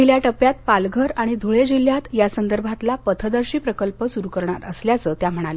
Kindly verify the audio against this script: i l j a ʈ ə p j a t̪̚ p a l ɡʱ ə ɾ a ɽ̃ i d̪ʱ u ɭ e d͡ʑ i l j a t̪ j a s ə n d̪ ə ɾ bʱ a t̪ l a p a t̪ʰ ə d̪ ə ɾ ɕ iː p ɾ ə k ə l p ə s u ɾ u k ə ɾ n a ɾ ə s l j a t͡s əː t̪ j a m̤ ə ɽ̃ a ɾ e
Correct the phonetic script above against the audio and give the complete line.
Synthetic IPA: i l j a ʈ ə p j a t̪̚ p a l ɡʱ ə ɾ a ɽ̃ i d̪ʱ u ɭ e d͡ʑ i l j a t̪ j a s ə n d̪ ə ɾ bʱ a t̪ l a p ə t̪ʰ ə d̪ ə ɾ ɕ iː p ɾ ə k ə l p ə s u ɾ u k ə ɾ ɳ a ɾ ə s l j a t͡s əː t̪ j a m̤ ə ɽ̃ a l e